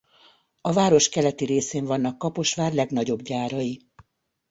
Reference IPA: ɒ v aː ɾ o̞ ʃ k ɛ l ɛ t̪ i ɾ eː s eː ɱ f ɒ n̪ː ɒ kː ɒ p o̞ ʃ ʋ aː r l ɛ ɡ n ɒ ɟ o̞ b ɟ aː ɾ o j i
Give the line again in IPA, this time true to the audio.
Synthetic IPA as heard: ɒ v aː ɾ o̞ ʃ k ɛ l ɛ t̪ i ɾ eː s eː ɱ v ɒ n̪ː ɒ kː ɒ p o̞ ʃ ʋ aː r l ɛ ɡ n ɒ ɟ o̞ b ɟ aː ɾ ɒ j i